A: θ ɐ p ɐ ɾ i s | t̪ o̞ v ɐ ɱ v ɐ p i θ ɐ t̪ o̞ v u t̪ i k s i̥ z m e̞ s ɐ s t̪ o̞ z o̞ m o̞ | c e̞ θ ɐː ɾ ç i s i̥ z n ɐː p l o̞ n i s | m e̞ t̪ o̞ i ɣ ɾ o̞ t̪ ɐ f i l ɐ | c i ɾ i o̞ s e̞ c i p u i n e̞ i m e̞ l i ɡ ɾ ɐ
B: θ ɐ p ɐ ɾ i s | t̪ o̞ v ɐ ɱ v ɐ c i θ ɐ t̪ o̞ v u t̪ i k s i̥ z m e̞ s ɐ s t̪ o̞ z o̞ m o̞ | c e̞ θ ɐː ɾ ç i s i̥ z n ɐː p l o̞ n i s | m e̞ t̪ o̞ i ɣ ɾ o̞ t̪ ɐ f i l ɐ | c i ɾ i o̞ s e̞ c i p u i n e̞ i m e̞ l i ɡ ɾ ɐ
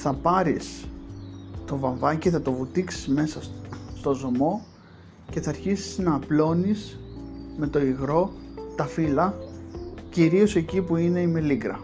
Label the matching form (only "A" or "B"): B